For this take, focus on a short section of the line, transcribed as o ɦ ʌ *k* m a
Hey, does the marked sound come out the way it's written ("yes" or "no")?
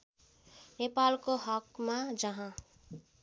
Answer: yes